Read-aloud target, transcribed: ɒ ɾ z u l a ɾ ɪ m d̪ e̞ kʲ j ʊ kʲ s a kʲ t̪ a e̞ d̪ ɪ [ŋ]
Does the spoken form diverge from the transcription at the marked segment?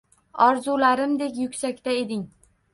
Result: no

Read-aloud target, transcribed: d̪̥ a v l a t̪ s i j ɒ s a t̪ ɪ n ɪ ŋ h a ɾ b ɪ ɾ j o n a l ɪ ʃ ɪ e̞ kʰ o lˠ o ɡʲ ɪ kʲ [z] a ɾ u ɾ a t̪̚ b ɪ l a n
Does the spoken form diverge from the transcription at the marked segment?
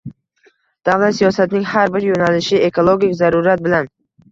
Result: no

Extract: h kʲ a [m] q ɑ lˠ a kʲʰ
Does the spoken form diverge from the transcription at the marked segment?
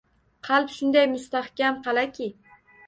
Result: no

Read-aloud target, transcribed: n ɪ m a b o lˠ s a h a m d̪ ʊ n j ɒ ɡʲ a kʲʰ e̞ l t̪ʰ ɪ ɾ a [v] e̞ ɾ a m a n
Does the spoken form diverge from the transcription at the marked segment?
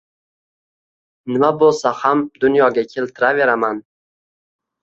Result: no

